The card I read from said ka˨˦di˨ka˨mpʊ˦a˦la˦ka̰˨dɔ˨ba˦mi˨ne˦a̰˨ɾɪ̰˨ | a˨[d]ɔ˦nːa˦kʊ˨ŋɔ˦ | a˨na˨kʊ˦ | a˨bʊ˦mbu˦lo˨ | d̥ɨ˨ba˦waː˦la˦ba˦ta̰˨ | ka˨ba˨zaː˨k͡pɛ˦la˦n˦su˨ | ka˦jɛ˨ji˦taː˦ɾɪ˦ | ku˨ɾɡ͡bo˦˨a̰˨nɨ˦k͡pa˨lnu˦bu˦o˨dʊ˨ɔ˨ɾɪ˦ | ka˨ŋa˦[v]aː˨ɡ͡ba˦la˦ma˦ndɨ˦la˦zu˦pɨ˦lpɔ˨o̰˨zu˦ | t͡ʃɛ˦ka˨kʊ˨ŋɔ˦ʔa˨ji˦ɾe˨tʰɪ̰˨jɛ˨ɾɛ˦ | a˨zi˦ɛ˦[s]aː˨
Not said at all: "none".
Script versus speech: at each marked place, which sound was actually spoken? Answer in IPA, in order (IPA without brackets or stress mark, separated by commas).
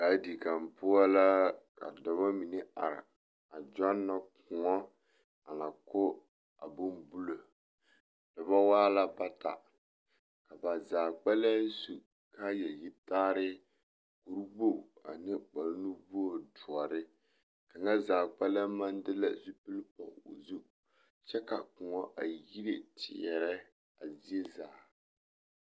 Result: d͡ʒ, z, z